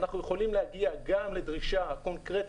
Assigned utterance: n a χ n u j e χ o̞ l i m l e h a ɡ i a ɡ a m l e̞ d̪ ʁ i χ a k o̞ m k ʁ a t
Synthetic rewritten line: n a χ n u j e χ o̞ l i m l e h a ɡ i a ɡ a m l e̞ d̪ ʁ i ʃ a k o̞ n k ʁ e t